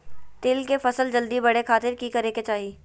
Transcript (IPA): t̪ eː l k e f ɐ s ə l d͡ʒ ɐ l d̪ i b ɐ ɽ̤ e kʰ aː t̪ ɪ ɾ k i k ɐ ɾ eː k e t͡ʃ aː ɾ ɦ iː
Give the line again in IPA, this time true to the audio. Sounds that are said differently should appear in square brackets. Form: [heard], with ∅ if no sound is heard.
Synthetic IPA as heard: t̪ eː l k e f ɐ s ə l d͡ʒ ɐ l d̪ i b ɐ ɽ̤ e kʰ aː t̪ ɪ ɾ k i k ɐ ɾ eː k e t͡ʃ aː [∅] ɦ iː